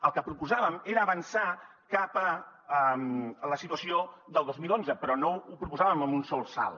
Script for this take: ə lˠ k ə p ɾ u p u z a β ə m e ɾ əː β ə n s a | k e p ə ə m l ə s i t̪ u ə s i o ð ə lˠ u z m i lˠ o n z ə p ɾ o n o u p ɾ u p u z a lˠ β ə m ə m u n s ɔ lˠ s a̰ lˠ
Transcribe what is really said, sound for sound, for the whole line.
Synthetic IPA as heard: ə lˠ k ə p ɾ u p u z a β ə m e ɾ əː β ə n s a | k a p ə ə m l ə s i t̪ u ə s i o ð ə lˠ o z m i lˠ o n z ə p ɾ ɔ n o u p ɾ u p u z a β ə m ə m u n s ɔ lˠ s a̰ lˠ